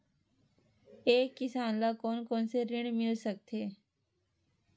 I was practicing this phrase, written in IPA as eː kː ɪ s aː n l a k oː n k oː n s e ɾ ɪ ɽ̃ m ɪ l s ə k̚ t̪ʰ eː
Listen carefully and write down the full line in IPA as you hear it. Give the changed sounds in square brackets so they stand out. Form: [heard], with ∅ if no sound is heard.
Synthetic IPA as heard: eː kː ɪ s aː n l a k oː n k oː n s e ɾ ɪ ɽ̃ m ɪ l s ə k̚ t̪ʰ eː